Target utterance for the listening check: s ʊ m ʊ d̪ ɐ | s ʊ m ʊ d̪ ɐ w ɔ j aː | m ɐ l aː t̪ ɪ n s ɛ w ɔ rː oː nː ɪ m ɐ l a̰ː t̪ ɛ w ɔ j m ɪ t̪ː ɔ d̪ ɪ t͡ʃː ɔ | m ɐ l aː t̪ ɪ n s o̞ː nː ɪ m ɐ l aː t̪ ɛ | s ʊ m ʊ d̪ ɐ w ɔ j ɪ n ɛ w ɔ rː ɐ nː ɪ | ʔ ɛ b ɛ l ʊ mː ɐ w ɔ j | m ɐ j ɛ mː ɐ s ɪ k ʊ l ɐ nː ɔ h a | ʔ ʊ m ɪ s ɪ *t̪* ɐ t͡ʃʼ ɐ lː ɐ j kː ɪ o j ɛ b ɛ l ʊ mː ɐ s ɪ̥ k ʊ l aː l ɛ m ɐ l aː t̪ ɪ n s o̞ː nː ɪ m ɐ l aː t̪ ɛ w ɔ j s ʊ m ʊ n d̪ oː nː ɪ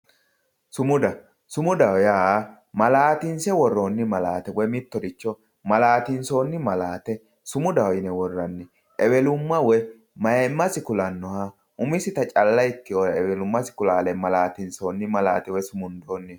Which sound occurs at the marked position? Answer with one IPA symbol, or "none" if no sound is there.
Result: t̪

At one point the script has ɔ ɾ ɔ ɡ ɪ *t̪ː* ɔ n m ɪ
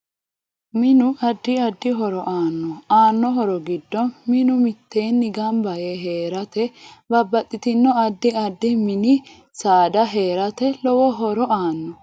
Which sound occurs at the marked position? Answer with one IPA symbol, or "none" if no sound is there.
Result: d̪ː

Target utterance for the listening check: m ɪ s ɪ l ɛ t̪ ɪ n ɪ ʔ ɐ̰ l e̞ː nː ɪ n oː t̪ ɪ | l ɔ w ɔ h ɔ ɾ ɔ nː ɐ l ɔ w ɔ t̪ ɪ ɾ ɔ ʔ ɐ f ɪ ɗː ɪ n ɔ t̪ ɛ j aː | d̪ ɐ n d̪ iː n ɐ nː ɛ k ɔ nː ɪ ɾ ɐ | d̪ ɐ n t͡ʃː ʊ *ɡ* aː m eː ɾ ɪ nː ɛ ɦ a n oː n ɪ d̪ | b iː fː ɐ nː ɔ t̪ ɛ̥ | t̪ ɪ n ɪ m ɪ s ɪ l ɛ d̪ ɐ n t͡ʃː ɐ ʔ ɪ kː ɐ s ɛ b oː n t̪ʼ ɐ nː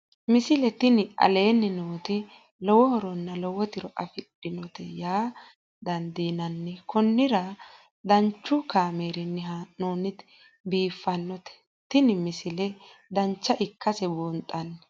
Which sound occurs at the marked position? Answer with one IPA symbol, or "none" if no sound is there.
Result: k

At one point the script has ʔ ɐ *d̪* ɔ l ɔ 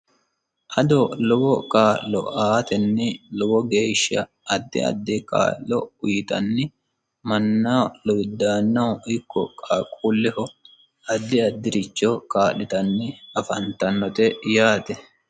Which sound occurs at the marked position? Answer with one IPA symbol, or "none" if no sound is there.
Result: d̪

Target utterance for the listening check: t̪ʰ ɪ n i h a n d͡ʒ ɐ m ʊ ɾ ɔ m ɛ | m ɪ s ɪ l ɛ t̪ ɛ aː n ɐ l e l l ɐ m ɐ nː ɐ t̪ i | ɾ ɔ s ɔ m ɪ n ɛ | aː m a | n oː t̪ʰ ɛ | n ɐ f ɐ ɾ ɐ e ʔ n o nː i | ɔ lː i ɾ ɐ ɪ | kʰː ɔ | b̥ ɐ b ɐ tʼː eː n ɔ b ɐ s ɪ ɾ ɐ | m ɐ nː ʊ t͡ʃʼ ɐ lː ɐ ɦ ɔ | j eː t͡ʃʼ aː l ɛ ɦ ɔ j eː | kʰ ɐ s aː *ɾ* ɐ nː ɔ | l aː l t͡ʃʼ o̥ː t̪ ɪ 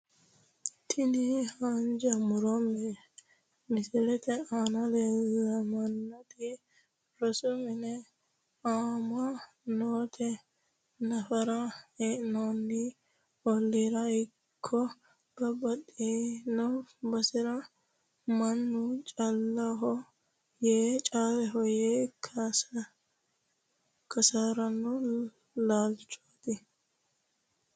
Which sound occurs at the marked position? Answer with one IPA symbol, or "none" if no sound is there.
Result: ɾ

